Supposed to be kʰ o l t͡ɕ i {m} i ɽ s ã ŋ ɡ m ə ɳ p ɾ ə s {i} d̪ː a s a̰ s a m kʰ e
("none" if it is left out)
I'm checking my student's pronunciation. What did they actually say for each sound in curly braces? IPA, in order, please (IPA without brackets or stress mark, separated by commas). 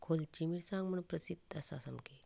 m, i